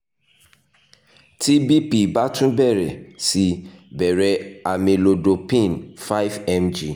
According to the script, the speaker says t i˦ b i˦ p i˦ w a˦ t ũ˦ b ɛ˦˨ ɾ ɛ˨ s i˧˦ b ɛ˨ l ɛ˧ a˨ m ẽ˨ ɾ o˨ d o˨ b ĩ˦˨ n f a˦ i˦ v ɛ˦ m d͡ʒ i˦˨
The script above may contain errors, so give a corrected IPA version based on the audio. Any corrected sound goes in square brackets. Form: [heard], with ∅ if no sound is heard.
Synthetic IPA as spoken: t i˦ b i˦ p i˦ [b] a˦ t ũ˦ b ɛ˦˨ ɾ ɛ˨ s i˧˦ b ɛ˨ [ɾ] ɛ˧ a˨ m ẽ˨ [l] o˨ d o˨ [p] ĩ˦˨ n f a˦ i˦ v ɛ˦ m d͡ʒ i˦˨